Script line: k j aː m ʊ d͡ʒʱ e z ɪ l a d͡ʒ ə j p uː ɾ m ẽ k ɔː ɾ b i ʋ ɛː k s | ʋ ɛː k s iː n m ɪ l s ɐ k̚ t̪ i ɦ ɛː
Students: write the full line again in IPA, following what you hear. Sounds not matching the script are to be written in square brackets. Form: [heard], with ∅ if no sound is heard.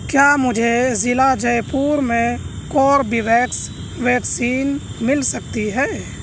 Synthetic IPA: k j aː m ʊ d͡ʒʱ e z ɪ l a d͡ʒ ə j p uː ɾ m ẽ k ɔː ɾ b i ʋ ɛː k s | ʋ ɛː k s iː n m ɪ l s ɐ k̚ t̪ i ɦ ɛː